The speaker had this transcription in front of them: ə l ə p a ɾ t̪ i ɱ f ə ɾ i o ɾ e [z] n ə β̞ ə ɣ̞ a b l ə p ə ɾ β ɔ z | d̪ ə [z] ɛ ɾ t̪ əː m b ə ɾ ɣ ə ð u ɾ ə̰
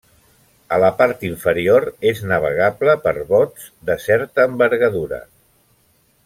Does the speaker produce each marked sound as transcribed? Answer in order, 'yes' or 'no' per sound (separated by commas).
yes, no